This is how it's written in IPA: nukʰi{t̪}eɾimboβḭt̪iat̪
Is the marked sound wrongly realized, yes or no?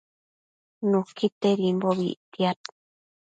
no